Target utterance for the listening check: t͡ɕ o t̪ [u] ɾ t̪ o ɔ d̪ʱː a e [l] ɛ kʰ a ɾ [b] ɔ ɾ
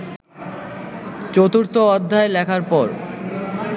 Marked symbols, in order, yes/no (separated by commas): yes, yes, no